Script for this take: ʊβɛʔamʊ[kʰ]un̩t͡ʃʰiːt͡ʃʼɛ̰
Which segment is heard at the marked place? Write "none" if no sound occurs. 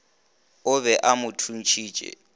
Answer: tʰ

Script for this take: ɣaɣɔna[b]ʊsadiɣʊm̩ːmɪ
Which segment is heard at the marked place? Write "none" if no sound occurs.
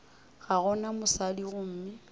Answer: m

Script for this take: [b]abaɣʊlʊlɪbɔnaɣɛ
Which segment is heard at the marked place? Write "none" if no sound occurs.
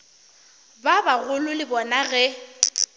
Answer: b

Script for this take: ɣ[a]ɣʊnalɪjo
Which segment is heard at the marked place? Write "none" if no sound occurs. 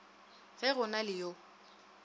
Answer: ɛ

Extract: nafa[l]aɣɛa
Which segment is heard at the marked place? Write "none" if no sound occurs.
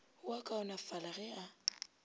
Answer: l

